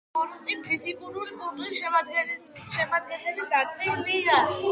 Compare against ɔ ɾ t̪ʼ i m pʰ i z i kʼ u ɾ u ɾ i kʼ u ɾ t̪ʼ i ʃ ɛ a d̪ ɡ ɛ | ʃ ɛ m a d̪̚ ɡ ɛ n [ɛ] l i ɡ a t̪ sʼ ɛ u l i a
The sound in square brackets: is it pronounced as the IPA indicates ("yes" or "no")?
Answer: yes